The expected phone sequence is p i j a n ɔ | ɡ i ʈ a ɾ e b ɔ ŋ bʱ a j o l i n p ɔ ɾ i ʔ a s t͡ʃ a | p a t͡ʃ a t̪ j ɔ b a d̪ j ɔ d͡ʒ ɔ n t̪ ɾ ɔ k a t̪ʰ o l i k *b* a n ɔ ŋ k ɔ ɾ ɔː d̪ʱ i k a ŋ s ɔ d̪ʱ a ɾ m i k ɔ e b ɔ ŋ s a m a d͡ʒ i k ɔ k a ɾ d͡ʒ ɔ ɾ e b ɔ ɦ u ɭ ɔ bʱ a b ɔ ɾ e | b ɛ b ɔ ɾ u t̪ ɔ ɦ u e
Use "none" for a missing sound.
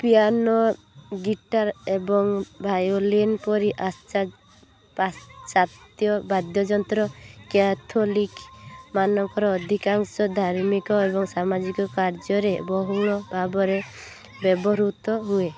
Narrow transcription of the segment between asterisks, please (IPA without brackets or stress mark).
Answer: m